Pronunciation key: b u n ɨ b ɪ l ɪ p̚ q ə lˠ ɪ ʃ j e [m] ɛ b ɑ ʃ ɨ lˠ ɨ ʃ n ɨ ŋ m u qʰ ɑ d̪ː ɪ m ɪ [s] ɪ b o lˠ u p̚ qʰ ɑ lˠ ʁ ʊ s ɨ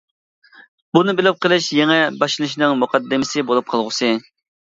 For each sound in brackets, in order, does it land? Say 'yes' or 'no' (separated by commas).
no, yes